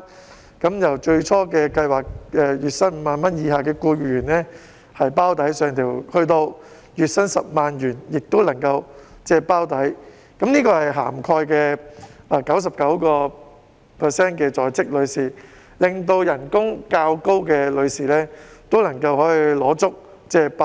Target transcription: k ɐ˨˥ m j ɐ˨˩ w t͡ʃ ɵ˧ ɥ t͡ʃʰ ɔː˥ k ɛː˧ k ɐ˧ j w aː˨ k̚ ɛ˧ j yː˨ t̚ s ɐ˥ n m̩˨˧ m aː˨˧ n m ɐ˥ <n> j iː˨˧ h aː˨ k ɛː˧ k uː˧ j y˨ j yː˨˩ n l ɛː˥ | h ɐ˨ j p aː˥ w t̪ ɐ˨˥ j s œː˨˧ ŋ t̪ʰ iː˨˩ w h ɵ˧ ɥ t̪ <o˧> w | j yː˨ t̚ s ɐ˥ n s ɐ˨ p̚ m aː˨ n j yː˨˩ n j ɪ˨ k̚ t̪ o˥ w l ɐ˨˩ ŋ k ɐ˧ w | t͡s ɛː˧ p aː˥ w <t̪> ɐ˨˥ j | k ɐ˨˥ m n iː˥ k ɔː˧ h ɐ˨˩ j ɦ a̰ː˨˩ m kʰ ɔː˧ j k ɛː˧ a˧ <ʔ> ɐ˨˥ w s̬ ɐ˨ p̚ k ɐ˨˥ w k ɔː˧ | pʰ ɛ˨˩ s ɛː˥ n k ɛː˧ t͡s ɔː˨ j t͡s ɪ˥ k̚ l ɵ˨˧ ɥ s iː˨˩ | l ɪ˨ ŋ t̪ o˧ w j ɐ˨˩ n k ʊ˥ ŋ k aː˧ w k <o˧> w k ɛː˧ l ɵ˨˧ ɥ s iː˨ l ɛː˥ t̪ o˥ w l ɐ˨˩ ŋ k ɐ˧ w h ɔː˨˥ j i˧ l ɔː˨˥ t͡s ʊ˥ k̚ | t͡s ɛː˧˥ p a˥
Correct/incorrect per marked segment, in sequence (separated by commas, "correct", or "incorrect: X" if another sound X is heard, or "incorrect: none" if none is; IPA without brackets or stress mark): correct, correct, correct, incorrect: k, incorrect: o˥